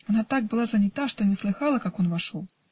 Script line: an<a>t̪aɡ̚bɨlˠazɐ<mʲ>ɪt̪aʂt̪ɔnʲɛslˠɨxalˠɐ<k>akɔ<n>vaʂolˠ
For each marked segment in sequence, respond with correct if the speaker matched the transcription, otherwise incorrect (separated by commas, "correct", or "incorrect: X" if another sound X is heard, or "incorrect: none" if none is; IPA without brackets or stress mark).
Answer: correct, incorrect: nʲ, correct, correct